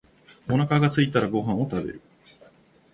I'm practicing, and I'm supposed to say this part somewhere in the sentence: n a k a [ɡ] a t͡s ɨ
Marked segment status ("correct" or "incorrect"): correct